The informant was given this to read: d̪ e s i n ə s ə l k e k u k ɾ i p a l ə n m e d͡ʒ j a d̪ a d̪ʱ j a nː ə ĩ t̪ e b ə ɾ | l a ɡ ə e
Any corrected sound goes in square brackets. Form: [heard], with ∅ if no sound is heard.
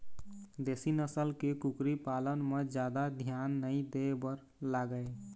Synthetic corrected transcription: d̪ e s i n ə s ə l k e k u k ɾ i p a l ə n m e d͡ʒ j a d̪ a d̪ʱ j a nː ə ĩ [d̪] e b ə ɾ | l a ɡ ə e